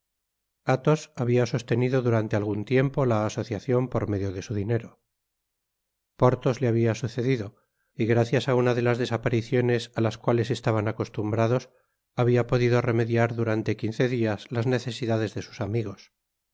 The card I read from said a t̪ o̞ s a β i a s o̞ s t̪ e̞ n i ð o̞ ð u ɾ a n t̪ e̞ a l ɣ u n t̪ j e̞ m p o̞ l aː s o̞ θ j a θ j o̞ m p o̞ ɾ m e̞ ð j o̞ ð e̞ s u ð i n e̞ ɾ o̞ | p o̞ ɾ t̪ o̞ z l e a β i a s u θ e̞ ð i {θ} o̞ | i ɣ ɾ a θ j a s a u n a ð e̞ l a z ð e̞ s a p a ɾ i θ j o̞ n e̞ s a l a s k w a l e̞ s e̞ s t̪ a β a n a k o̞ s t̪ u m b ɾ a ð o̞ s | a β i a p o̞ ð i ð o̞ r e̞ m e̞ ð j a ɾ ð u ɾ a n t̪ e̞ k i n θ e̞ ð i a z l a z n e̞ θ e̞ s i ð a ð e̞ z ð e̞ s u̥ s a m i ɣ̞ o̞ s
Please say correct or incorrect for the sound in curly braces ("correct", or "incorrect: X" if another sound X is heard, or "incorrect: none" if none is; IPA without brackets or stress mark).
incorrect: ð